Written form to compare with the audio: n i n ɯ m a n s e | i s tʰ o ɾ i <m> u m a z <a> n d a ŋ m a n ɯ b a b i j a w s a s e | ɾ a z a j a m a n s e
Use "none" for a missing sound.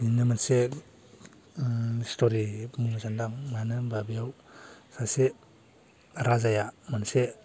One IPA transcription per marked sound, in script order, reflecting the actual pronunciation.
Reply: m, a

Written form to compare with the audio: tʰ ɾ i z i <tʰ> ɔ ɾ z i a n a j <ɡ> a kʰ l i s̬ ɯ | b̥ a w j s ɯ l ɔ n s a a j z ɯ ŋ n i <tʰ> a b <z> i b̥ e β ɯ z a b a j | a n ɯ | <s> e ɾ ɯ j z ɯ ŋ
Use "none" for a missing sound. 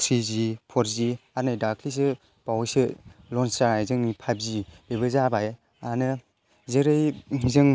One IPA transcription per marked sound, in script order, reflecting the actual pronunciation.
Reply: pʰ, d, pʰ, z, z

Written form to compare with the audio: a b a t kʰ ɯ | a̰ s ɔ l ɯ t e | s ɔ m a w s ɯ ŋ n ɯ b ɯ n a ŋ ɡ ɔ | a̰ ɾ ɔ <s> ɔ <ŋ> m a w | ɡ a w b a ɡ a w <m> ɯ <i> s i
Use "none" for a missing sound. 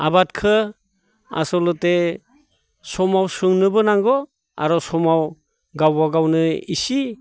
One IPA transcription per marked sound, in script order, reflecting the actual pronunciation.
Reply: s, none, n, i

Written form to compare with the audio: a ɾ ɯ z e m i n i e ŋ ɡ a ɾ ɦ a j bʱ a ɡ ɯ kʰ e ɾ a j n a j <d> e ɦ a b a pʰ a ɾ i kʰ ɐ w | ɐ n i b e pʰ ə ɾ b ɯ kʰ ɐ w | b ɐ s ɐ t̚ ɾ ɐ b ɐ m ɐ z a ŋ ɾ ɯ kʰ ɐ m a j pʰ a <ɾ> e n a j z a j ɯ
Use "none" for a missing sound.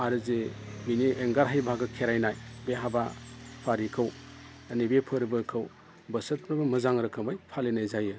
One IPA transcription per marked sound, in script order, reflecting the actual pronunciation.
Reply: b, l

